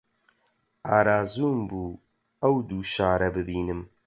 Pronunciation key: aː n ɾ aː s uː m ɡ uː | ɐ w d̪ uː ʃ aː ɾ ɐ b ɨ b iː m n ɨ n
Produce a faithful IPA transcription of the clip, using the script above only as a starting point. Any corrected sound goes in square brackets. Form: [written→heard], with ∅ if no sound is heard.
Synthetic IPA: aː [n→∅] ɾ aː [s→z] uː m [ɡ→b] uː | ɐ w d̪ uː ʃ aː ɾ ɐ b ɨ b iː [m→∅] n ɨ [n→m]